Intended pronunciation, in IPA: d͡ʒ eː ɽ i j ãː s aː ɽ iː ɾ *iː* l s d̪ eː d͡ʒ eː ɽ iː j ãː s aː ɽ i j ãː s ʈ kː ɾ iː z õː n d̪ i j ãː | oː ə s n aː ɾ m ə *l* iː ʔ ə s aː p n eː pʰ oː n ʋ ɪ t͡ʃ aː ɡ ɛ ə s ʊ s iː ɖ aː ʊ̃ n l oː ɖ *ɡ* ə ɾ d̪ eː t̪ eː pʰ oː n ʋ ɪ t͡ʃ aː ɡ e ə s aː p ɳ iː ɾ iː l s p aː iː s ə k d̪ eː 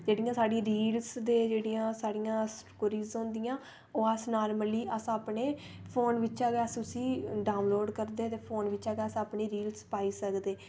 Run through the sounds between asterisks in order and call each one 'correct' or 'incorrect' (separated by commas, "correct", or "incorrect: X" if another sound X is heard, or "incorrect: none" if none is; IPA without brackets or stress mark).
correct, correct, incorrect: k